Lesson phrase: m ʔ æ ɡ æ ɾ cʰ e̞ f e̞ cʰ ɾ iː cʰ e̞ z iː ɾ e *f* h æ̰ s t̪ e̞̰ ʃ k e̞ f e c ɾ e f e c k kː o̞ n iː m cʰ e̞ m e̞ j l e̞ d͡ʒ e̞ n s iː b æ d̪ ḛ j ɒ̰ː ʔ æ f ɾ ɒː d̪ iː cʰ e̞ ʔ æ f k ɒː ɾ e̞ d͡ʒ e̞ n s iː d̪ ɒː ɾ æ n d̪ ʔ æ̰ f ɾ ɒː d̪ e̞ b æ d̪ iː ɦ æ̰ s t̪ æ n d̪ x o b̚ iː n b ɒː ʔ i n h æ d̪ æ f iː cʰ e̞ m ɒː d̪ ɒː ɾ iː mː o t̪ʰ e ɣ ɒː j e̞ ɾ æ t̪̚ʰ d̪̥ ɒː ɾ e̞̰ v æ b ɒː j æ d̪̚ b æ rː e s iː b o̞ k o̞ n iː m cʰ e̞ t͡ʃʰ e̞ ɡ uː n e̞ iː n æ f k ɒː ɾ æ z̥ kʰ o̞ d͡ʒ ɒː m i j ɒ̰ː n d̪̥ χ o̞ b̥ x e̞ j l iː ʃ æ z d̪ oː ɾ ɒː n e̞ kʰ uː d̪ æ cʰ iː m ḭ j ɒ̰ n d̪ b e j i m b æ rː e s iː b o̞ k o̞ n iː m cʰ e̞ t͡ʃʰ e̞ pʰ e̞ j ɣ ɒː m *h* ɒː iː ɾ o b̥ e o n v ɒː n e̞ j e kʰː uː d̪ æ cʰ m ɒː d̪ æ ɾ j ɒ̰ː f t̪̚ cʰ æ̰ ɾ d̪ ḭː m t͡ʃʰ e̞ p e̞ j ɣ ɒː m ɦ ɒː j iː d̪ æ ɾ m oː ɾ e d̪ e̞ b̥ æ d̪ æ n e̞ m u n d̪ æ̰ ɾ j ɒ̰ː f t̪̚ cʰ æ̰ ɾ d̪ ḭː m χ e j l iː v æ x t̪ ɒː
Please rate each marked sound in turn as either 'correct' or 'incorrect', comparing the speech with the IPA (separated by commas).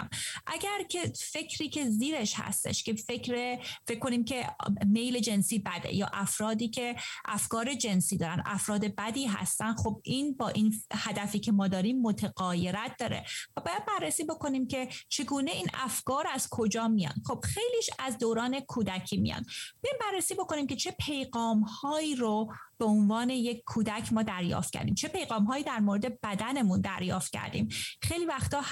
incorrect, correct